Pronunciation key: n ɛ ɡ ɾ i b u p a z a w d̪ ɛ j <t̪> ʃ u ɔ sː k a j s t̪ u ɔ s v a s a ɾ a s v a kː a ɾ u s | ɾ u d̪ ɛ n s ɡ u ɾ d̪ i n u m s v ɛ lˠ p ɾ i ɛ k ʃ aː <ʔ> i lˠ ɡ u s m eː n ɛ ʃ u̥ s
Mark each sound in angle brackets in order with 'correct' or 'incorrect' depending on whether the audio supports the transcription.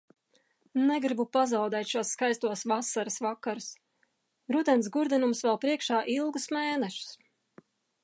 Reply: correct, correct

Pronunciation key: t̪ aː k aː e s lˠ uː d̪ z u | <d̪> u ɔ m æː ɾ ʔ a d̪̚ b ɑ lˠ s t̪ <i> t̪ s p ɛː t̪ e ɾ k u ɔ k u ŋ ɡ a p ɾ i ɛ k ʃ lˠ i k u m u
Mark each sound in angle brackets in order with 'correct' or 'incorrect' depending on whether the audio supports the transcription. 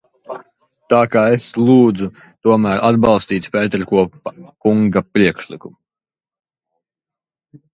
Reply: incorrect: t̪, incorrect: iː

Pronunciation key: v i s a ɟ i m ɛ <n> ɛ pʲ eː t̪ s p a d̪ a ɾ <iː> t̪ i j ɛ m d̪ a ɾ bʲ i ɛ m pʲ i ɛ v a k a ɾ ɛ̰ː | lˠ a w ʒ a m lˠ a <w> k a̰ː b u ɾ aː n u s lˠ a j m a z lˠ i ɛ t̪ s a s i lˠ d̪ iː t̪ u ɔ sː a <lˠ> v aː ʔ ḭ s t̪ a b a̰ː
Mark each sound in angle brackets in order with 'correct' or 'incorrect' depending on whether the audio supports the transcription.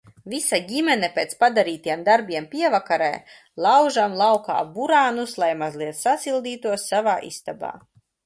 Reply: correct, correct, correct, incorrect: none

